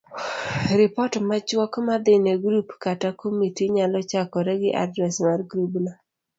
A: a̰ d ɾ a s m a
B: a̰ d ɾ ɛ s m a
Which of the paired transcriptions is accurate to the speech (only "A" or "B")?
B